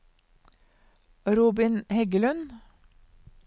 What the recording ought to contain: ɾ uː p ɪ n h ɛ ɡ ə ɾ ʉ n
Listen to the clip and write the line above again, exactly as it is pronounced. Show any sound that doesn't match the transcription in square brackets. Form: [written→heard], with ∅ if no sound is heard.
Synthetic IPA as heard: ɾ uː [p→b] ɪ n h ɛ ɡ ə [ɾ→l] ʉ n